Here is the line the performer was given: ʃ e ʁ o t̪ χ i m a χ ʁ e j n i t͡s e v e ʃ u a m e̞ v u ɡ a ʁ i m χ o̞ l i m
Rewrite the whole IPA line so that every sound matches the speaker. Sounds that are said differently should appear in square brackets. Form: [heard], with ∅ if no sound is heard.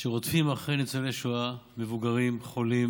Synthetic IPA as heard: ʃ e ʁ o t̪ [f] i m a χ ʁ e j n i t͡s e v e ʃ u a m e̞ v u ɡ a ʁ i m χ o̞ l i m